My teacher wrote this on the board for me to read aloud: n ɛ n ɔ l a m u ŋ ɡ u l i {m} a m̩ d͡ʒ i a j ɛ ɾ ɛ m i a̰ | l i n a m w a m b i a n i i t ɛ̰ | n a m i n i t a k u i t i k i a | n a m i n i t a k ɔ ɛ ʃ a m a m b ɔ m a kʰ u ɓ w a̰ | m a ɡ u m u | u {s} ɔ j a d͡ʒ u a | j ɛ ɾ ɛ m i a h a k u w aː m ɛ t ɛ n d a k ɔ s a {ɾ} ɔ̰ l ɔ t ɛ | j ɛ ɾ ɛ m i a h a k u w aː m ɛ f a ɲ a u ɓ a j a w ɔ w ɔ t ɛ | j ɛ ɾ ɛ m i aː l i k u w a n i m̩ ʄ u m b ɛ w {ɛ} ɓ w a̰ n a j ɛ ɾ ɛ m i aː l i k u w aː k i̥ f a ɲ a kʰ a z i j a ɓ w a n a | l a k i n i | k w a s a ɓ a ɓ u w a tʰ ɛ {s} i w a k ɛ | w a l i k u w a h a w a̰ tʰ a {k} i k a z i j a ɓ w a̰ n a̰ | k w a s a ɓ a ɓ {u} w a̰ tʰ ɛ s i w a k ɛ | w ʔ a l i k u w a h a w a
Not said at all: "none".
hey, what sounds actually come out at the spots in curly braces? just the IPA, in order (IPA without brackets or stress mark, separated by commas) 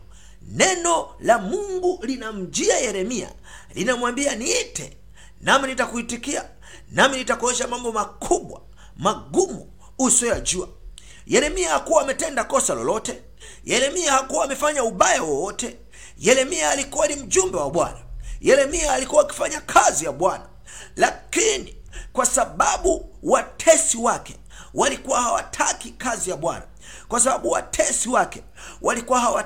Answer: n, s, l, a, s, k, u